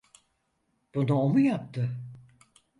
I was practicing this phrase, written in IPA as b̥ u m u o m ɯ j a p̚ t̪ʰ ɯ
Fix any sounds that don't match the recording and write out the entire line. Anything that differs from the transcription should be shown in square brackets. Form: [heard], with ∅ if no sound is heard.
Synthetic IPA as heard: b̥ u [n] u o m [u] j a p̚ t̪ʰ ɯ